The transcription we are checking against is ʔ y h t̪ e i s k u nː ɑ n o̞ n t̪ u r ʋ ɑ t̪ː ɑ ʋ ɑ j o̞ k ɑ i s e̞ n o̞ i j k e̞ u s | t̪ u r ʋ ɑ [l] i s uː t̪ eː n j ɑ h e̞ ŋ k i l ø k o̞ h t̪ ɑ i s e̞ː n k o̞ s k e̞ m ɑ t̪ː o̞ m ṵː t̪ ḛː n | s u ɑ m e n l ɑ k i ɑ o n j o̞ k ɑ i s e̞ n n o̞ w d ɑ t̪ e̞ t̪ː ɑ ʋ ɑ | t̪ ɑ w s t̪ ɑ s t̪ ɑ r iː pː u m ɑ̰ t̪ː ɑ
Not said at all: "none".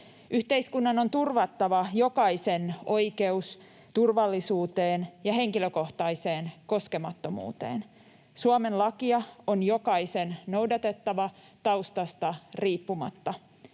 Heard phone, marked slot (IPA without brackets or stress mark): lː